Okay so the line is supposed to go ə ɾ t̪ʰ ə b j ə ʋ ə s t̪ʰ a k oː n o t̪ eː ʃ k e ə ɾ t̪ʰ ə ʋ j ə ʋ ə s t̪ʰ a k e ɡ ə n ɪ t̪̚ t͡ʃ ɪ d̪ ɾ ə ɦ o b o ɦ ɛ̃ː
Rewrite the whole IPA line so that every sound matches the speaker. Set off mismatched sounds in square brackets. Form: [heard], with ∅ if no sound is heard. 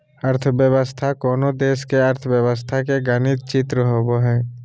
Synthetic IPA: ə ɾ t̪ʰ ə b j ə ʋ ə s t̪ʰ a k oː n o [d̪] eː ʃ k e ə ɾ t̪ʰ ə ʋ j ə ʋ ə s t̪ʰ a k e ɡ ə n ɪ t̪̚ t͡ʃ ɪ [t̪] ɾ ə ɦ o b o ɦ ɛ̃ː